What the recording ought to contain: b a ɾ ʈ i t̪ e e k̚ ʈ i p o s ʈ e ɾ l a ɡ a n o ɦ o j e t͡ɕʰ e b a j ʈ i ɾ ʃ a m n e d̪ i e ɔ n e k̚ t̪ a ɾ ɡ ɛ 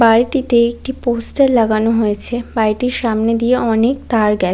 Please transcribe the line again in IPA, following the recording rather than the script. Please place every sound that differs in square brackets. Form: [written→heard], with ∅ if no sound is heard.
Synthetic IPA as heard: b a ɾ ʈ i t̪ e e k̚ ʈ i p o s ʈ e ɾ l a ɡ a n o ɦ o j e t͡ɕʰ e b a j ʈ i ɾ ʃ a m n e d̪ i e ɔ n e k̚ t̪ a ɾ ɡ ɛ